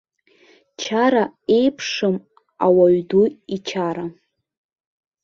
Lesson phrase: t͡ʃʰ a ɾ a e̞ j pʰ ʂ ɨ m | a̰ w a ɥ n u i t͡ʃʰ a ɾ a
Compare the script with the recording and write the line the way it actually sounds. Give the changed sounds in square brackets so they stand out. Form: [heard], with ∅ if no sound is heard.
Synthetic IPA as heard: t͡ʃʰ a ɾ a e̞ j pʰ ʂ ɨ m | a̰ w a ɥ [d] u i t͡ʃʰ a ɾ a